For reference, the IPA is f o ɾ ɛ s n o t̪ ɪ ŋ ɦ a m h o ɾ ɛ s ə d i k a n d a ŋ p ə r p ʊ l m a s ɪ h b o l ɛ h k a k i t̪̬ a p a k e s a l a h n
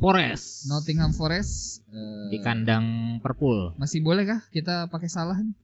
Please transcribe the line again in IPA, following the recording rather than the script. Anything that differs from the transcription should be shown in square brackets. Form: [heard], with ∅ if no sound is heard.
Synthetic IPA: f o ɾ ɛ s n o t̪ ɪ ŋ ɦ a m [f] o ɾ ɛ s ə d i k a n d a ŋ p ə r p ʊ l m a s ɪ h b o l ɛ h k a k i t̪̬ a p a k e s a l a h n